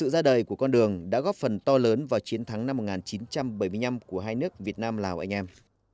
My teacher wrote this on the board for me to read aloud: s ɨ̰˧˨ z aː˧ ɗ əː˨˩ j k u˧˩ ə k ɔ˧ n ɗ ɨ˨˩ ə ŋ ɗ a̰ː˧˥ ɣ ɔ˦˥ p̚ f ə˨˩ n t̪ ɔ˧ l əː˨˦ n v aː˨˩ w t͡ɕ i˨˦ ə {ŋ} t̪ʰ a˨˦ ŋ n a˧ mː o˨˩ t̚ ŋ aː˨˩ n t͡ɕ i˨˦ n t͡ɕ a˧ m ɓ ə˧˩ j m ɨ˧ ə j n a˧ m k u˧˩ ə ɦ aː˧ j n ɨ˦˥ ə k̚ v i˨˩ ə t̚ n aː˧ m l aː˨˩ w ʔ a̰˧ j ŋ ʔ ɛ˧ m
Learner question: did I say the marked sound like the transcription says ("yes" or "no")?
no